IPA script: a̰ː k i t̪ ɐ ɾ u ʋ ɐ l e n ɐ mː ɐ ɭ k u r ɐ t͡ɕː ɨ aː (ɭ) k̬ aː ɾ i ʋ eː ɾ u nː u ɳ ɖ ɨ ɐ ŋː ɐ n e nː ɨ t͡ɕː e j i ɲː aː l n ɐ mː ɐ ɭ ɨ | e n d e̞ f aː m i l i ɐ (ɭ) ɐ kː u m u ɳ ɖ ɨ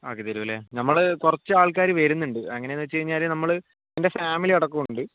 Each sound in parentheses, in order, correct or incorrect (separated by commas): correct, incorrect